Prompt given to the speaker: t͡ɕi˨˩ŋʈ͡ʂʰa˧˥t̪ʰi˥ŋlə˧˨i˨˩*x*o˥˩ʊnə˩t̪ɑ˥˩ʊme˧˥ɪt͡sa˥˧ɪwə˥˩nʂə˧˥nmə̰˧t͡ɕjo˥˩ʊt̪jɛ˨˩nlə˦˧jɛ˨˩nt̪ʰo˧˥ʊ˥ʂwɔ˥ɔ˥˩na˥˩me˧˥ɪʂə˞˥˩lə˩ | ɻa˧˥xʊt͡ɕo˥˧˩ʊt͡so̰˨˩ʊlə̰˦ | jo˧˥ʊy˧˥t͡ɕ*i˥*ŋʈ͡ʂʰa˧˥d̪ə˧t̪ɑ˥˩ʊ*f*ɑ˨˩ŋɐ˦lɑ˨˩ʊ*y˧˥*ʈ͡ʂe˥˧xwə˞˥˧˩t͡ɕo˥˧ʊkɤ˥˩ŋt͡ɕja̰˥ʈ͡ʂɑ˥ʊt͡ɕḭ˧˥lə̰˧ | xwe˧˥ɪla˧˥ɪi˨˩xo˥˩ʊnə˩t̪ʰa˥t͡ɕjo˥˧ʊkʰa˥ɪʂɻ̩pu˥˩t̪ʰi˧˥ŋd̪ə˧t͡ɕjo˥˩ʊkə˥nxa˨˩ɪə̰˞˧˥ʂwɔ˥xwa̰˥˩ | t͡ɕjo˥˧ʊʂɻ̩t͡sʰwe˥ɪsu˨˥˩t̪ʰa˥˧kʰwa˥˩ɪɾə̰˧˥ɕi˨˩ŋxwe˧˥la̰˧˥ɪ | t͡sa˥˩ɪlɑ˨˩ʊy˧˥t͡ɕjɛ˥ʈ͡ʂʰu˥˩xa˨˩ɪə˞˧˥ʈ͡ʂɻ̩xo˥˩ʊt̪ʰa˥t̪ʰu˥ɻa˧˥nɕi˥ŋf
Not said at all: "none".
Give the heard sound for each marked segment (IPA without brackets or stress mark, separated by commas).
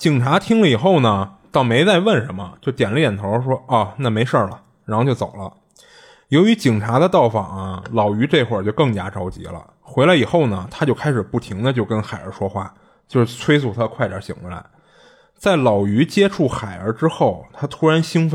x, i˨˩, f, y˧˥